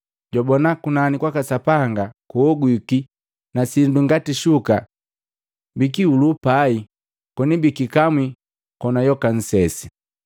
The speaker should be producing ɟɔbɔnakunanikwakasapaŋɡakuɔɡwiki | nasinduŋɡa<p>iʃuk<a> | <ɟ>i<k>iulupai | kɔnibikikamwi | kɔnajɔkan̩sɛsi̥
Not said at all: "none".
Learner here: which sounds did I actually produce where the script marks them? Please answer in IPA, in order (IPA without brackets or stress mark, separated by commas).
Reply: t, a, b, k